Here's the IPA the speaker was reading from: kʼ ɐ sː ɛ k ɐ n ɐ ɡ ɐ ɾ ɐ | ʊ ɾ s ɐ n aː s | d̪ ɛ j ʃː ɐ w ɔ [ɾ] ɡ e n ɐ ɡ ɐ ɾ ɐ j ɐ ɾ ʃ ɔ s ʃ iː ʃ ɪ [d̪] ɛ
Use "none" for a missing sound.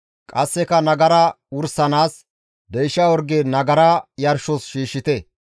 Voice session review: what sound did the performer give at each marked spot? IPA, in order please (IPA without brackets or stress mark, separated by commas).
ɾ, t̪